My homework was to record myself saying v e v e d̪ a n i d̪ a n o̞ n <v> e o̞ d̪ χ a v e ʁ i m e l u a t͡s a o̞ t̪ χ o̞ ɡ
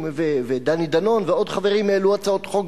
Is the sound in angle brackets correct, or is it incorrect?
correct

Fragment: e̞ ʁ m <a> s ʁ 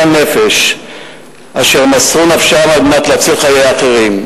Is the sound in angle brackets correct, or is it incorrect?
correct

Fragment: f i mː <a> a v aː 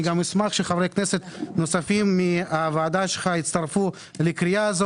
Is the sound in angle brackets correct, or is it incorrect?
incorrect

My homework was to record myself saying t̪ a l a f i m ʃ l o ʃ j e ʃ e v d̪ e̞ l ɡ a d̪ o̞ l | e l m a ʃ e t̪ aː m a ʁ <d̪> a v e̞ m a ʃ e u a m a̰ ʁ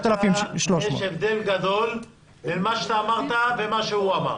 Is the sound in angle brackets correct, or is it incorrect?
incorrect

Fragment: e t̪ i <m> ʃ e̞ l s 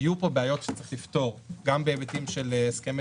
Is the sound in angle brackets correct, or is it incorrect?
correct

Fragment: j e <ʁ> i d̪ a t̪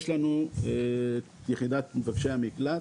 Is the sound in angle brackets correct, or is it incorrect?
incorrect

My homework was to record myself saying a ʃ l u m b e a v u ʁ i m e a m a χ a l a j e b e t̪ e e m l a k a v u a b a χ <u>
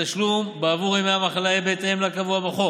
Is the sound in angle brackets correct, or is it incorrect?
incorrect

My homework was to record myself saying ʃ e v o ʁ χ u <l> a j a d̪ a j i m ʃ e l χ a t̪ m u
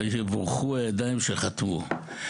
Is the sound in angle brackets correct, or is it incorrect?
incorrect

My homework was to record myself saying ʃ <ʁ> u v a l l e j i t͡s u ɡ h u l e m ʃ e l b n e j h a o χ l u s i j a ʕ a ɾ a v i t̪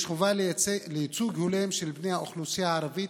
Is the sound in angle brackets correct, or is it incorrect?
incorrect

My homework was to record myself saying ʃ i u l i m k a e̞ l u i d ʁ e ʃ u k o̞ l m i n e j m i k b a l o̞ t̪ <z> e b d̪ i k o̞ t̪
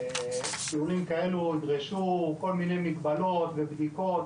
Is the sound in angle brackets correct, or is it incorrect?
incorrect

